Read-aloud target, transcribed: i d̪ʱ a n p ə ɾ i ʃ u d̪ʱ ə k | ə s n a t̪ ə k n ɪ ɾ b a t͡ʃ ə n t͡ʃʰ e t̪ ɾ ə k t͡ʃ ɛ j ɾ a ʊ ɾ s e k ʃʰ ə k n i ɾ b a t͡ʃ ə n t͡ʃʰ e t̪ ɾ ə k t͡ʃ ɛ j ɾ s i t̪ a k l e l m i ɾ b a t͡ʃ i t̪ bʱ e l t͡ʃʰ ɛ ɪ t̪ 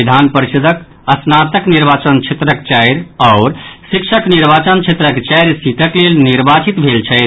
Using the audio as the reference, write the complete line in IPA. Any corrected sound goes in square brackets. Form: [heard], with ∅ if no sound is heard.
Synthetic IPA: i d̪ʱ a n p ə ɾ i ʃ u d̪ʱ ə k | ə s n a t̪ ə k n [i] ɾ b a t͡ʃ ə n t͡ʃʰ e t̪ ɾ ə k t͡ʃ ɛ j ɾ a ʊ ɾ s [i] k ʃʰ ə k n i ɾ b a t͡ʃ ə n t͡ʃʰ e t̪ ɾ ə k t͡ʃ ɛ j ɾ s i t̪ [ə] k l e l [n] i ɾ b a t͡ʃ i t̪ bʱ e l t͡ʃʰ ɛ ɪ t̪